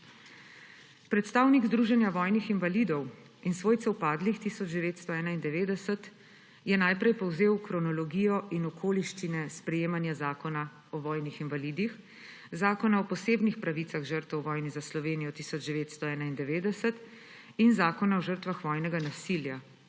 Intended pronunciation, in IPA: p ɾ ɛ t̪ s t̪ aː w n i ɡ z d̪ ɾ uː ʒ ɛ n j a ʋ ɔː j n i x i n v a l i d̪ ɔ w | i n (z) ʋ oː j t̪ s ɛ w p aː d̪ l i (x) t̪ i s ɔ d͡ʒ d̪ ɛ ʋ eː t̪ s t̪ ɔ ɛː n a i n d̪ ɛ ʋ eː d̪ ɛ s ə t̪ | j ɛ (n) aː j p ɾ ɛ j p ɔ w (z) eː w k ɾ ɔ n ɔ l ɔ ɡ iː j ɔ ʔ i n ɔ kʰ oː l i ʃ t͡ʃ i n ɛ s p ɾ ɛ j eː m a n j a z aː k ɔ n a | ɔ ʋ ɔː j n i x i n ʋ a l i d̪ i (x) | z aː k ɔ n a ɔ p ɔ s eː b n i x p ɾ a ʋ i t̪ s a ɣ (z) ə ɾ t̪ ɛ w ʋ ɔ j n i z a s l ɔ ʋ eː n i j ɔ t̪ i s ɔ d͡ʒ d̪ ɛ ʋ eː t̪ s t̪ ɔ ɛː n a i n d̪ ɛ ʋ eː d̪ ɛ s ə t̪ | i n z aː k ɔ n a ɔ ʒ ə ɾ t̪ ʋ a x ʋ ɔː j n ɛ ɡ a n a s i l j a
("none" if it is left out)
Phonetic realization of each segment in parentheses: s, x, n, z, x, ʒ

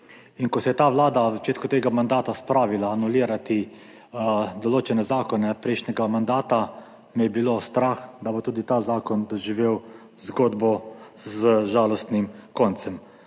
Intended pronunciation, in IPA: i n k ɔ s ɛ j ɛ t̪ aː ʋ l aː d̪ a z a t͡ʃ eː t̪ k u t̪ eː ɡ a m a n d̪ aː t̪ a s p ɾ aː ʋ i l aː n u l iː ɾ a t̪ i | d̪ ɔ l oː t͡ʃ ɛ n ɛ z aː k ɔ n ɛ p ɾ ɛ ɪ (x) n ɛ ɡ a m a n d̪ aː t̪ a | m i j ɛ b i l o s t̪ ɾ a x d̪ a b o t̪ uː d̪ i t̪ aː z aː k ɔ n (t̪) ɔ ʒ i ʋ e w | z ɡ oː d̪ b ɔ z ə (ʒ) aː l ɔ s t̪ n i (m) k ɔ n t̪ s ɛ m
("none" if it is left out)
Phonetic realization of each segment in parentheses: ʃ, d̪, ʒ, m

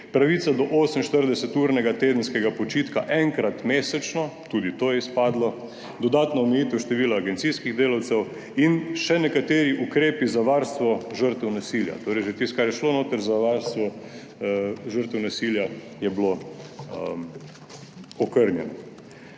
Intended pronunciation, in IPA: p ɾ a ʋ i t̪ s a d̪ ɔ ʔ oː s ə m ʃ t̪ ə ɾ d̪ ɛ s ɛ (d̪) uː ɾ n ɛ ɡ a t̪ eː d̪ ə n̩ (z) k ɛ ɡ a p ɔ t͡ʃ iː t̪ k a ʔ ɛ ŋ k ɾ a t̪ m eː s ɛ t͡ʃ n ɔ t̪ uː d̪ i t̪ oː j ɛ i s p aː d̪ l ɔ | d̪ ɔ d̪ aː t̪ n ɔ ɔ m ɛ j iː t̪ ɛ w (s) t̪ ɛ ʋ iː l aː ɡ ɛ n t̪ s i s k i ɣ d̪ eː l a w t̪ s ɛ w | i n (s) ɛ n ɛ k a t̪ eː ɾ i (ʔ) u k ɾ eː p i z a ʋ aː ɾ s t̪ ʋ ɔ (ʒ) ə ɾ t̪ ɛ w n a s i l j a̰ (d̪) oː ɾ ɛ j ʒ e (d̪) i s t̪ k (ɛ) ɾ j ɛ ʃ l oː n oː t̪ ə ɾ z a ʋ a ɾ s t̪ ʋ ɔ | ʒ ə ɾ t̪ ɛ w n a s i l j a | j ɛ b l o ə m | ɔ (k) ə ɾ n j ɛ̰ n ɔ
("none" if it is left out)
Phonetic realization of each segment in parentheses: t̪, s, ʃ, ʃ, ʔ, ʒ, t̪, t̪, a, k

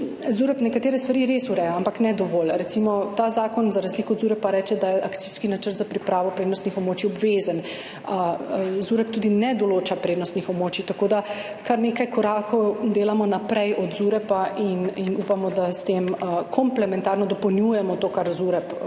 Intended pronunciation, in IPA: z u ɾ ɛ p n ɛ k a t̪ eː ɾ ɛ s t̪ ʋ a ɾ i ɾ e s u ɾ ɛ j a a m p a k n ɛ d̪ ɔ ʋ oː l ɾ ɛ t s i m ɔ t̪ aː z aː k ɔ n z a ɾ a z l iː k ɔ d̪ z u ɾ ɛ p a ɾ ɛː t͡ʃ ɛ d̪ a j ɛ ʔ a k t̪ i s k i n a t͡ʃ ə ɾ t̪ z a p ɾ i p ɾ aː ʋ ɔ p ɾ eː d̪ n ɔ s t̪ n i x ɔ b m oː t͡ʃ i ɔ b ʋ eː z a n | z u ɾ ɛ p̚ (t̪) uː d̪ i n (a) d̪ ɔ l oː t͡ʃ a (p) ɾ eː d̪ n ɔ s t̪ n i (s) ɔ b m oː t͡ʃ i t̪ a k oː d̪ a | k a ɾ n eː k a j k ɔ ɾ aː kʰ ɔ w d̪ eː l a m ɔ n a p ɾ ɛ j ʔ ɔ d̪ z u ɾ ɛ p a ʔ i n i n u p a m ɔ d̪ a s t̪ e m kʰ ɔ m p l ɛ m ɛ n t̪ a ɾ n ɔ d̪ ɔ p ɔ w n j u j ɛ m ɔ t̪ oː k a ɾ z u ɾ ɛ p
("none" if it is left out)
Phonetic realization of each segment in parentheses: t̪, ɛ, p, x

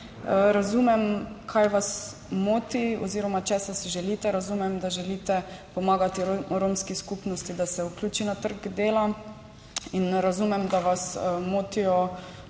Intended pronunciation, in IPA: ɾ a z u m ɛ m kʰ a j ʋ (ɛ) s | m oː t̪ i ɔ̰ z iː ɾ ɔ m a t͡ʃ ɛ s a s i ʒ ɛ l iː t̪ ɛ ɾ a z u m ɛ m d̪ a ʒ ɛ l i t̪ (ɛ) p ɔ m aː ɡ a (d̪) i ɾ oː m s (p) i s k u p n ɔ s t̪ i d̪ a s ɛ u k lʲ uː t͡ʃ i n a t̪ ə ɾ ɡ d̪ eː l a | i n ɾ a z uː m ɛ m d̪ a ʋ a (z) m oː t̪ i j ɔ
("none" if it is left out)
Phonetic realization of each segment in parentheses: a, ɛ, t̪, k, s

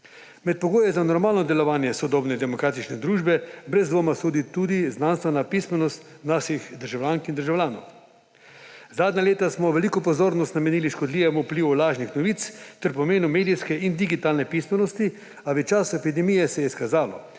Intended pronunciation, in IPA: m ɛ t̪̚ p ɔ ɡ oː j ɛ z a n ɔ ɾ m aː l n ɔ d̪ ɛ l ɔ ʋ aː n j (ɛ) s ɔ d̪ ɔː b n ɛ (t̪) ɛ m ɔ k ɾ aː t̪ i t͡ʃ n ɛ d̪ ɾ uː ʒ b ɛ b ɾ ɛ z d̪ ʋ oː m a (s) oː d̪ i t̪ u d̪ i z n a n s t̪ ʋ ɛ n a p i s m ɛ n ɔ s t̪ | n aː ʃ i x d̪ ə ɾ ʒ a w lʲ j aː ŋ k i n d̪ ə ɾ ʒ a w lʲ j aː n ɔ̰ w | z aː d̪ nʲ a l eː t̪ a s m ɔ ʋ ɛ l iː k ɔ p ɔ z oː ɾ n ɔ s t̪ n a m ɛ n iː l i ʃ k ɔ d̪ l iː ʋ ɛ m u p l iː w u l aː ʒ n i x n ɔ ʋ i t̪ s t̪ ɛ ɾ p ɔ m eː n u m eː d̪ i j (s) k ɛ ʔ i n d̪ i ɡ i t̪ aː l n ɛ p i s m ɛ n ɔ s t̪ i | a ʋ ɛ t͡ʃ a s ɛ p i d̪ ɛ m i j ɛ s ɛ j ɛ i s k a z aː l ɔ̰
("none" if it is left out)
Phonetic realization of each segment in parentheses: ɛ, d̪, s, s

